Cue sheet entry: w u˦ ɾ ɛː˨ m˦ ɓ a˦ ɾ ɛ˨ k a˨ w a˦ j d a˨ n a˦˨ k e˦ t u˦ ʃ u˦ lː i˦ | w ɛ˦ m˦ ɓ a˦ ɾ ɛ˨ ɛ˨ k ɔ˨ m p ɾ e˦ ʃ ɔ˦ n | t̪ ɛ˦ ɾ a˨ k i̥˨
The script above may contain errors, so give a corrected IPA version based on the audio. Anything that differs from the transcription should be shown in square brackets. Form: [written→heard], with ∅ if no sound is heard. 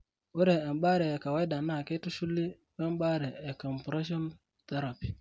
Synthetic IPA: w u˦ ɾ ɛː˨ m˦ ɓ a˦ ɾ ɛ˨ k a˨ w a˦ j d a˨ n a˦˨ k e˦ t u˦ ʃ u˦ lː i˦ | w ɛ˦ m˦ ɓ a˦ ɾ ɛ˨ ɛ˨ k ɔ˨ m p ɾ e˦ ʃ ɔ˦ n | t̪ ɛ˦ ɾ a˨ [k→p] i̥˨